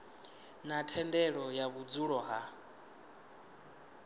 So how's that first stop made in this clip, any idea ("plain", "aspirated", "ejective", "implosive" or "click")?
aspirated